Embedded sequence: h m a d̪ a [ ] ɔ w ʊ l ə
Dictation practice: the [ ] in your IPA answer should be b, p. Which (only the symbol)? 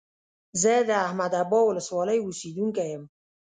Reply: b